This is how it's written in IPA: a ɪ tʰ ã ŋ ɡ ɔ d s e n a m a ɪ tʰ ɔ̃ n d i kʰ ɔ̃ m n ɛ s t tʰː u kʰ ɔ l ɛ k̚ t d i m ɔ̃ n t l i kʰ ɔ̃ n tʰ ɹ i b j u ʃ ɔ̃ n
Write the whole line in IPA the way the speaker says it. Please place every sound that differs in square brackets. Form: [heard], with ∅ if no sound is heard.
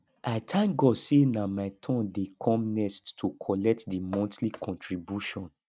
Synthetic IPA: a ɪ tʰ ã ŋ ɡ ɔ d s e n a m a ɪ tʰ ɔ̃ n d [e] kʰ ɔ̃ m n ɛ s t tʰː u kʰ ɔ l ɛ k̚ t d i m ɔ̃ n t l i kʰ ɔ̃ n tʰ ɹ i b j u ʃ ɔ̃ n